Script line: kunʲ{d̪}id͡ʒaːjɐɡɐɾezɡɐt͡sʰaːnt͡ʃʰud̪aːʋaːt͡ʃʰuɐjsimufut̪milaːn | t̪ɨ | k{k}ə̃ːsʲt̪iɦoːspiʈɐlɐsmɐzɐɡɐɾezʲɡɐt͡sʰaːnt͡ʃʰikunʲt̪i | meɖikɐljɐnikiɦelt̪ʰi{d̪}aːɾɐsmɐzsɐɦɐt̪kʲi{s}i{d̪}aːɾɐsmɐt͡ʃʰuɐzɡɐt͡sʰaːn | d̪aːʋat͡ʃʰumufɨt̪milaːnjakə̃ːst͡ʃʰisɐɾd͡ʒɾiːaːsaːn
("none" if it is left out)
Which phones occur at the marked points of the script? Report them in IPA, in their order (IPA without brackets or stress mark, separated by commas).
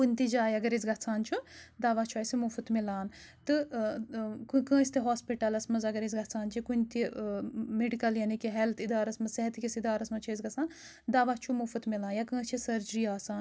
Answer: t̪, k, d̪, s, d̪